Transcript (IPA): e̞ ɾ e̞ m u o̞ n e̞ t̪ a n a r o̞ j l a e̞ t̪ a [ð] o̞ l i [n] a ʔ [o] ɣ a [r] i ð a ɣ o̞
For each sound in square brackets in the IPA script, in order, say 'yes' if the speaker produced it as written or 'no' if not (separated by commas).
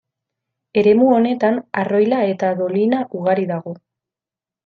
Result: yes, yes, no, no